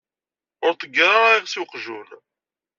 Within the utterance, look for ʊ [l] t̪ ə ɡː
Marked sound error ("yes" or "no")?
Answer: yes